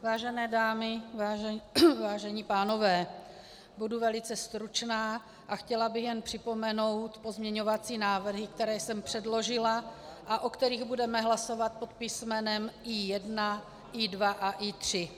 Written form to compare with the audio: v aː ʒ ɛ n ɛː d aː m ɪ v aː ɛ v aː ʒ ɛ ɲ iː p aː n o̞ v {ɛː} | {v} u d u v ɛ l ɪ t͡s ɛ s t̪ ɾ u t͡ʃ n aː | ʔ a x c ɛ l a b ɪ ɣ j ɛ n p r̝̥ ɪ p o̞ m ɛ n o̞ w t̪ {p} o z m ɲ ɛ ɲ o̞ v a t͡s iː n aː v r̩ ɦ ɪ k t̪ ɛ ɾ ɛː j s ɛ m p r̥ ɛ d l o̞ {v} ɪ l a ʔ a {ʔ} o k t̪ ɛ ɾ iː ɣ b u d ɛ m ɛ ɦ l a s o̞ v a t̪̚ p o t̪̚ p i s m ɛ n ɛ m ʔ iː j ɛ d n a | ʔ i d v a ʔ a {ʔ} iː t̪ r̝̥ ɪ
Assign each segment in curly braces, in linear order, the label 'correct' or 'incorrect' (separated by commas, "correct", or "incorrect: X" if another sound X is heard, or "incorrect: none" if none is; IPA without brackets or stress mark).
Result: correct, incorrect: b, correct, incorrect: ʒ, correct, correct